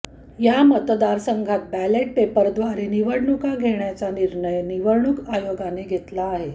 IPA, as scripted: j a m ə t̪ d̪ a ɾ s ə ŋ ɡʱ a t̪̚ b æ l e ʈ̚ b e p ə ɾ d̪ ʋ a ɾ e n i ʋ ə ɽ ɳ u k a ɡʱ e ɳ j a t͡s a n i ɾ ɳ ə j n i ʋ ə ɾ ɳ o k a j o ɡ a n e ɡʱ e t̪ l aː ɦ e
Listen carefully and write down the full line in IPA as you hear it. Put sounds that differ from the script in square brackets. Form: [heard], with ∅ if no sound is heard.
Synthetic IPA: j a m ə t̪ d̪ a ɾ s ə ŋ ɡʱ a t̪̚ b æ l e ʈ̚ [p] e p ə ɾ d̪ ʋ a ɾ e n i ʋ ə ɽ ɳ u k a ɡʱ e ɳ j a t͡s a n i ɾ ɳ ə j n i ʋ ə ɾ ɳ [u] k a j o ɡ a n e ɡʱ e t̪ l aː ɦ e